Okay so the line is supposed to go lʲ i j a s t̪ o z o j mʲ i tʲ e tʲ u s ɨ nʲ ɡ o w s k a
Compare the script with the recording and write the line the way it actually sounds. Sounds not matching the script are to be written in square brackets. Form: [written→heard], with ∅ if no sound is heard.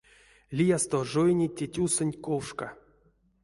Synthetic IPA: lʲ i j a s t̪ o [z→ʐ] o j [mʲ→nʲ] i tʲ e tʲ u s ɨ nʲ [ɡ→k] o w [s→ʂ] k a